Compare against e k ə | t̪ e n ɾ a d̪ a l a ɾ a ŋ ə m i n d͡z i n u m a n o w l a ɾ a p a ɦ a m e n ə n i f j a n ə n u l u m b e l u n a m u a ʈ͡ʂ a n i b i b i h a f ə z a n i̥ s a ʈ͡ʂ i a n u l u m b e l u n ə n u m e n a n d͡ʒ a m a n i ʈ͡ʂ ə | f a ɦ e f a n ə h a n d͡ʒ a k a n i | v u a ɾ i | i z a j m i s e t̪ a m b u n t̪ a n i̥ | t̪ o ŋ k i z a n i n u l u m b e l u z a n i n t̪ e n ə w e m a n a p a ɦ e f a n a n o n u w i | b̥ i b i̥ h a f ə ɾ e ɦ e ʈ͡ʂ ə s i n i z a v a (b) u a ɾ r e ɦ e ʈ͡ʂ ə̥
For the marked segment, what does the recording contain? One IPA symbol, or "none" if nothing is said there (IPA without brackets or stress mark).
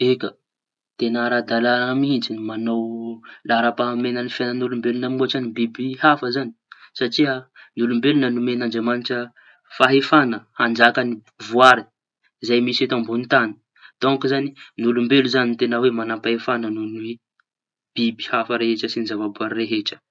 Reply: b